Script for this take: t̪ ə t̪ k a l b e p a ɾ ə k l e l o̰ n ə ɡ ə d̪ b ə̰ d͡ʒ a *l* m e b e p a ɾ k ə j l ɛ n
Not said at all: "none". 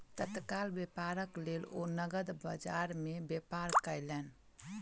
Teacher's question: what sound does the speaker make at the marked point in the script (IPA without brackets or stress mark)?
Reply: ɾ